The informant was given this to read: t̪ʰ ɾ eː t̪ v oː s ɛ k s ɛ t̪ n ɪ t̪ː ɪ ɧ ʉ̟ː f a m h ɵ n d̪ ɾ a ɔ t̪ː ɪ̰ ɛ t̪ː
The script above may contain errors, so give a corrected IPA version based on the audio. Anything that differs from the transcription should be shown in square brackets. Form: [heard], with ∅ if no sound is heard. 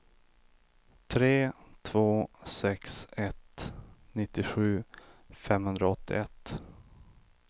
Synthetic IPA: t̪ʰ ɾ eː [t̪ʰ] v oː s ɛ k s ɛ t̪ n ɪ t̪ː ɪ ɧ ʉ̟ː f [ɛ] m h ɵ n d̪ ɾ a ɔ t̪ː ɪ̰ ɛ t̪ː